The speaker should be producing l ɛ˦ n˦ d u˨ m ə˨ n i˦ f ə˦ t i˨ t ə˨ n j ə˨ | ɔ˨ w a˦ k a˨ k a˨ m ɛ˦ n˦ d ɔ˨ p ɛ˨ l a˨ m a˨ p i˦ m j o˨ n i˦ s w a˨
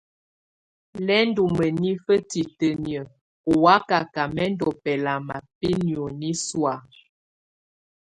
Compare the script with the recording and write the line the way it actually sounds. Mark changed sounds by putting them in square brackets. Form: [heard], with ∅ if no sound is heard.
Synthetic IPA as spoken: l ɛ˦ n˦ d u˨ m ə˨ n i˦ f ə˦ t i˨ t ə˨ n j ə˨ | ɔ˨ w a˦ k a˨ k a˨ m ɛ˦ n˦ d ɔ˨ p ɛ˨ l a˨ m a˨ p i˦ [n] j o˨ n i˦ s w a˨